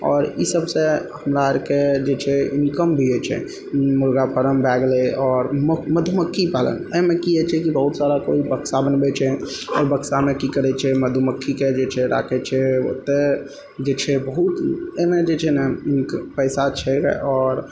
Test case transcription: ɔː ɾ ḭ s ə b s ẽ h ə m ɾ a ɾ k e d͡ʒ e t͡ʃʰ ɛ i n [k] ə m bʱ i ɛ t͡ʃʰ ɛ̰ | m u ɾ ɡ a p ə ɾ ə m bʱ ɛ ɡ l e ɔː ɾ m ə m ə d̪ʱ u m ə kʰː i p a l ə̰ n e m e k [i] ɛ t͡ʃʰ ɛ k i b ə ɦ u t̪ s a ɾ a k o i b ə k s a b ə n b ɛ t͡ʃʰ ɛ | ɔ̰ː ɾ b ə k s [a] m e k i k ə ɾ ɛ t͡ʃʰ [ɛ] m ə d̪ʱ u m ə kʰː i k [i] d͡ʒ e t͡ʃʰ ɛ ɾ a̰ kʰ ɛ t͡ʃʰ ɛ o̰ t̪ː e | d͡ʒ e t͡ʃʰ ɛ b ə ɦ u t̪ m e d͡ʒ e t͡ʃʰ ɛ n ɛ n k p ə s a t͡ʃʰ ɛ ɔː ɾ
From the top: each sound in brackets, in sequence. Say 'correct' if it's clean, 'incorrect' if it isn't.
correct, correct, correct, correct, incorrect: e

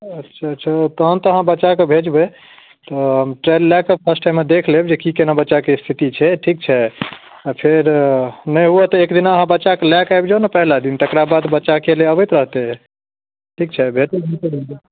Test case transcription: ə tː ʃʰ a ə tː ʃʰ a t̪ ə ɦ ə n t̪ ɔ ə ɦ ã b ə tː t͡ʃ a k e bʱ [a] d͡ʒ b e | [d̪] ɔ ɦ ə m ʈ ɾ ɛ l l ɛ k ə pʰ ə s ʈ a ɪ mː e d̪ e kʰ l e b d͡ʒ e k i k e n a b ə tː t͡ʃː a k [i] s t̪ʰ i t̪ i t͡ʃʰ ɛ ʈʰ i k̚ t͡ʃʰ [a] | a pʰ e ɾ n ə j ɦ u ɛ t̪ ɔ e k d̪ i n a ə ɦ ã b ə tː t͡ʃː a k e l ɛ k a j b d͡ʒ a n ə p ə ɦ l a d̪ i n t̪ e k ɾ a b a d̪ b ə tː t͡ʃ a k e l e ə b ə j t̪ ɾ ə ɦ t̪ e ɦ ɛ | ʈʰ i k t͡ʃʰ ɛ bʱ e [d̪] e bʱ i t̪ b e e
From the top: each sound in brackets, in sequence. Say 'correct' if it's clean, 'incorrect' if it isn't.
incorrect: e, incorrect: t̪, incorrect: e, incorrect: ɛ, incorrect: t̪

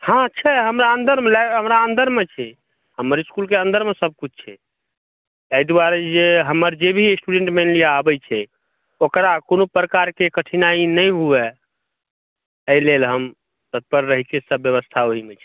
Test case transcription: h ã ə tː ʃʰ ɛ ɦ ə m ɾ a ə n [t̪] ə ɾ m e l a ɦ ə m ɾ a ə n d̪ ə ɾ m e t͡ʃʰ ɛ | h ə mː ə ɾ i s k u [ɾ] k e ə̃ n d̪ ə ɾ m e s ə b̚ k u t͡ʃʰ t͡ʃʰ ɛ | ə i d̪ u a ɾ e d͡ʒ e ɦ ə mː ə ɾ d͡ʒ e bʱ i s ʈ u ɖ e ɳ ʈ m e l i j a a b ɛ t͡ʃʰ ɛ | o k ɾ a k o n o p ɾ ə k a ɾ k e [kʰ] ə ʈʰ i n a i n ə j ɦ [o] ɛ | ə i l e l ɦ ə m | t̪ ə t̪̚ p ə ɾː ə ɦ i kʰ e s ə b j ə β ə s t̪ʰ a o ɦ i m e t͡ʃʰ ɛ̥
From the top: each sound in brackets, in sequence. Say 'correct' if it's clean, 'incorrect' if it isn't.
incorrect: d̪, incorrect: l, incorrect: k, incorrect: u

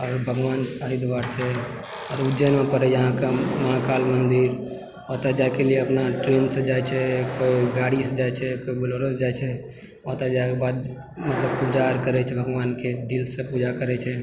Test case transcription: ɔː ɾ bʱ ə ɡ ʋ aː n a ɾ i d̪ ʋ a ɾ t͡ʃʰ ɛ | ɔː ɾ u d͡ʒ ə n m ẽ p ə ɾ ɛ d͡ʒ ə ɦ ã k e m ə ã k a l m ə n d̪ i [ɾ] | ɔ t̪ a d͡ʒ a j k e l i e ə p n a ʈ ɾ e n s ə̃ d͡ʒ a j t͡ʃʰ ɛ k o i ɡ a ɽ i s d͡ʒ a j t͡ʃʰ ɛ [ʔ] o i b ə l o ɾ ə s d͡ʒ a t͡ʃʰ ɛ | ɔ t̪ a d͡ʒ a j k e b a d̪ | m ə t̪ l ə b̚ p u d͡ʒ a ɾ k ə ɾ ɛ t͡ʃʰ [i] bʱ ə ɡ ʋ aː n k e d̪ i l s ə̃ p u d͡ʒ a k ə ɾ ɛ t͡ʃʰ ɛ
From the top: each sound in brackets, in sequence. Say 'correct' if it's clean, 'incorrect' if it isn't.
correct, incorrect: k, incorrect: ɛ

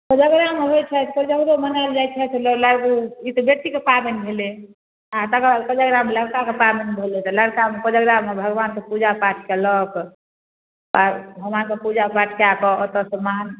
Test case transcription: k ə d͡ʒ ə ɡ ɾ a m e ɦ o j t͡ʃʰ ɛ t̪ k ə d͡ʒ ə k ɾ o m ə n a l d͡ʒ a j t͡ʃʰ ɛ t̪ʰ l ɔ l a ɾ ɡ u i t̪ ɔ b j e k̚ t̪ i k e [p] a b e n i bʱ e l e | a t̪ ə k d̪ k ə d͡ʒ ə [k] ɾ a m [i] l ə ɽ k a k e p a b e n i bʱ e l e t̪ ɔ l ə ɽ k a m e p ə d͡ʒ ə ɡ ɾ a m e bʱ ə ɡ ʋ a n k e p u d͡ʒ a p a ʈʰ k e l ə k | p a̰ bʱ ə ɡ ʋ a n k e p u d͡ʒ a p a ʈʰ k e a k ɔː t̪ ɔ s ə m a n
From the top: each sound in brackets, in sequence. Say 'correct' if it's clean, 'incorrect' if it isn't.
correct, incorrect: ɡ, incorrect: e

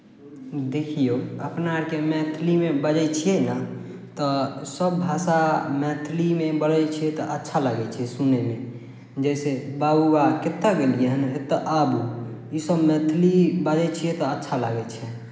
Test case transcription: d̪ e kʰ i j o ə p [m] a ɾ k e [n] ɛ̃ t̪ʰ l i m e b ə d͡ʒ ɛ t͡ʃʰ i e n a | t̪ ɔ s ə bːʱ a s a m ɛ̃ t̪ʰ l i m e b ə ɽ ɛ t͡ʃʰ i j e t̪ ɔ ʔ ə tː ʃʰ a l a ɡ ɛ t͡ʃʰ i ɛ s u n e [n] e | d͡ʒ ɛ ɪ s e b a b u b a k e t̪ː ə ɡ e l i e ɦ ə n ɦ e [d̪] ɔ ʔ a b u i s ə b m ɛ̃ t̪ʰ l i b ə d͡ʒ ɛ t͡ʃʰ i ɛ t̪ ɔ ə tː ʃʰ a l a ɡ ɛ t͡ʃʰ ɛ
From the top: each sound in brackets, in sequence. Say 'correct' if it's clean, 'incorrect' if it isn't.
incorrect: n, incorrect: m, incorrect: m, incorrect: t̪

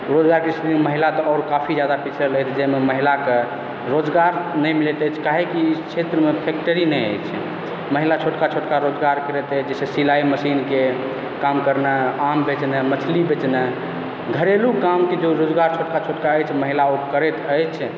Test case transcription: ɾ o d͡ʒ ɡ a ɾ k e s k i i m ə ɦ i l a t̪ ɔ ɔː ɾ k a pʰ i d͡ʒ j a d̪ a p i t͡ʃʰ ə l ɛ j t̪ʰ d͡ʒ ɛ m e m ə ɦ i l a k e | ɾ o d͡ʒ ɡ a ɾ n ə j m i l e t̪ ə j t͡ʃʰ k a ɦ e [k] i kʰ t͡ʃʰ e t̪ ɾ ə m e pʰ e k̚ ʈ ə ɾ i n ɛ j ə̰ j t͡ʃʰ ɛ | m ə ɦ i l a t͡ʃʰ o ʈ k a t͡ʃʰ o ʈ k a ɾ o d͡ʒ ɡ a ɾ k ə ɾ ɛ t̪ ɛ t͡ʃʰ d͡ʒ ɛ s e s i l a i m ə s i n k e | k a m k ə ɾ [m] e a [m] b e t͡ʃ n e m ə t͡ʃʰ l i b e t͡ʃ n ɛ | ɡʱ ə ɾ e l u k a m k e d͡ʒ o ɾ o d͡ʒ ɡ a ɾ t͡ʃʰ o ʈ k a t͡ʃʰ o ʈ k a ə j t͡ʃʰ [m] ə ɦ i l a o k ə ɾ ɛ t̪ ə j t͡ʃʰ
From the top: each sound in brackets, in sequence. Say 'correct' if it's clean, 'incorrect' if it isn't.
correct, incorrect: n, correct, correct

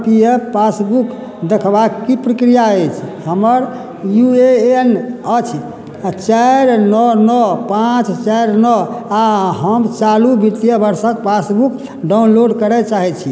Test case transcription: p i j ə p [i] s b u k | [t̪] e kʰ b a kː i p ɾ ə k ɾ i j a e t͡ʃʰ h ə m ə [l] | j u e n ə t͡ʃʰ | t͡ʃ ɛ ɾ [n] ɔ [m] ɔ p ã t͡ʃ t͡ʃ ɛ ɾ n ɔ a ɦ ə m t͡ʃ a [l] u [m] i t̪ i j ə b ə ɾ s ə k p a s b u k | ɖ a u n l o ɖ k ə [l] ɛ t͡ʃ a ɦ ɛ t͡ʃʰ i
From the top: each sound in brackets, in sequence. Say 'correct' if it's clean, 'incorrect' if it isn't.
incorrect: a, incorrect: d̪, incorrect: ɾ, correct, incorrect: n, correct, incorrect: b, incorrect: ɾ

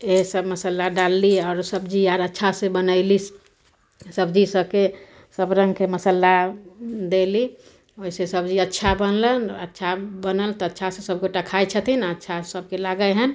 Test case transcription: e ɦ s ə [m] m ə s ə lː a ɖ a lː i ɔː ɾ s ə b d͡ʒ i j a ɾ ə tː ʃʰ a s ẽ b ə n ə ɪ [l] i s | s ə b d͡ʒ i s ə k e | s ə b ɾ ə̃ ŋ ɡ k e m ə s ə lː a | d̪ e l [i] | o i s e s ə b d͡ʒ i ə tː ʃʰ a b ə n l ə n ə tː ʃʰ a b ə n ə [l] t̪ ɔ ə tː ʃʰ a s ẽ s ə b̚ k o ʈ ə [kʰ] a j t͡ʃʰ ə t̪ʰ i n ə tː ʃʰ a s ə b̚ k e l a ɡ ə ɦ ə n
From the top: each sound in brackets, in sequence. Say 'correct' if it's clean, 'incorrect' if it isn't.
incorrect: b, correct, correct, correct, correct

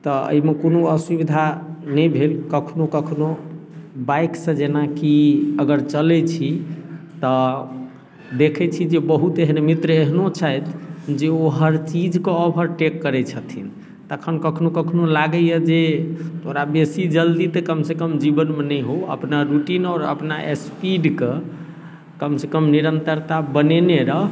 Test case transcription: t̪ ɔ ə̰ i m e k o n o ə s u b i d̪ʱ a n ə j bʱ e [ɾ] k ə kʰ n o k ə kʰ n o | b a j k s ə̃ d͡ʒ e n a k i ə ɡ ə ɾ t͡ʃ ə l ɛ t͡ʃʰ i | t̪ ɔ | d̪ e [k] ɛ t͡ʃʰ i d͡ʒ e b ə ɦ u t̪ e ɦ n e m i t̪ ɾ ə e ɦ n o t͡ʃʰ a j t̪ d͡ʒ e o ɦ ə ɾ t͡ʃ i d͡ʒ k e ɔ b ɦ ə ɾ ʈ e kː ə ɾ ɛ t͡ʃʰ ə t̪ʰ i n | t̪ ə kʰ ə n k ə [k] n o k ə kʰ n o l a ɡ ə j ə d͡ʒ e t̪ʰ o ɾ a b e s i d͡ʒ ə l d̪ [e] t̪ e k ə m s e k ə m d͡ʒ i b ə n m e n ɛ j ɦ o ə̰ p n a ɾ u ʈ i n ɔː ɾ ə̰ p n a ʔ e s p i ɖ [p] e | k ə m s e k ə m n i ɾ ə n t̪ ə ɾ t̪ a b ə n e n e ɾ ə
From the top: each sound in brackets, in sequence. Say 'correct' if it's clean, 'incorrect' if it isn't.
incorrect: l, incorrect: kʰ, incorrect: kʰ, incorrect: i, incorrect: k

